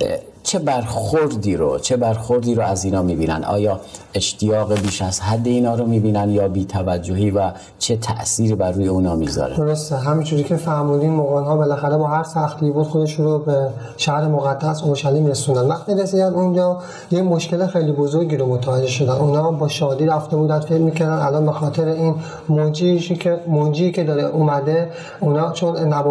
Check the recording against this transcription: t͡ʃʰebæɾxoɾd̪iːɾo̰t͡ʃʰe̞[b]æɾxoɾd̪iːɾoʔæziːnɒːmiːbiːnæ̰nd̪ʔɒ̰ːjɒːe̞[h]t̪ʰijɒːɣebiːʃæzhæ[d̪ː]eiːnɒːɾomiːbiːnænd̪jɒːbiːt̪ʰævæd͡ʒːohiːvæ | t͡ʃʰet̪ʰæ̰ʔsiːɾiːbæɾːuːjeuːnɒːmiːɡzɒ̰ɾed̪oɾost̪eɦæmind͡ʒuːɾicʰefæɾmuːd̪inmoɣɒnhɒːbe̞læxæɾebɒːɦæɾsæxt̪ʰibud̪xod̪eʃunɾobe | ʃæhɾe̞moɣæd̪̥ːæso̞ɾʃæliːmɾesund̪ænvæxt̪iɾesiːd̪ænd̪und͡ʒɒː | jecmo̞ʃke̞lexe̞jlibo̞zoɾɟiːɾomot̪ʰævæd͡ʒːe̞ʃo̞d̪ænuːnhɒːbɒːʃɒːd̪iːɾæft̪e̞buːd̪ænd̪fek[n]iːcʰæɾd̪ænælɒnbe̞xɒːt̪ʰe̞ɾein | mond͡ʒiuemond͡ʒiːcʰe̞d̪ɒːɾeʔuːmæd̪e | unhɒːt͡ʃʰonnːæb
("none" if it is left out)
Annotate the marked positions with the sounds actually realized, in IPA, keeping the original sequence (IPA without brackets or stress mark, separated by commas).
b, ʃ, d̪ː, m